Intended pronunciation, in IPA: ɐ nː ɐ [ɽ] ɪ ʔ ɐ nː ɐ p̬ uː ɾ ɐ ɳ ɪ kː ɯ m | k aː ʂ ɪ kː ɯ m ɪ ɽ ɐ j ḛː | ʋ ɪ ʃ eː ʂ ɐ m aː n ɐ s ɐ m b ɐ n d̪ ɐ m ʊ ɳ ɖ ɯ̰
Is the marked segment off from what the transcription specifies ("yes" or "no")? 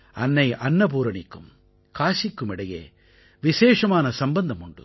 yes